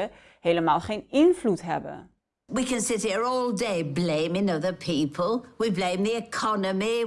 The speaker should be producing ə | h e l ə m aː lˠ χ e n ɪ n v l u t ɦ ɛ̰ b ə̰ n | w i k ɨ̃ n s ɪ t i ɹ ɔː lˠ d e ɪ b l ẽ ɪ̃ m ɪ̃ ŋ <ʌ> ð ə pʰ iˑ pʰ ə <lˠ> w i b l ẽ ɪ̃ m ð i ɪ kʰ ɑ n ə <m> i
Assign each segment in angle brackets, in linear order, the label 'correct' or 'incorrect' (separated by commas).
correct, correct, correct